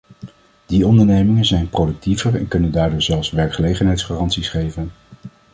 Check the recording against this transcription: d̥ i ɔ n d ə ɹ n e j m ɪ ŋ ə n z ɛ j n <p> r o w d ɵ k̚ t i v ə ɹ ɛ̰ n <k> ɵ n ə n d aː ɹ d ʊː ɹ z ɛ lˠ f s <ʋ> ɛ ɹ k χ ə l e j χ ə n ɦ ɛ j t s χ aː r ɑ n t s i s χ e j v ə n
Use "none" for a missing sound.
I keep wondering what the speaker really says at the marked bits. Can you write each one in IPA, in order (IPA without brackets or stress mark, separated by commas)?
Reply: p, k, ʋ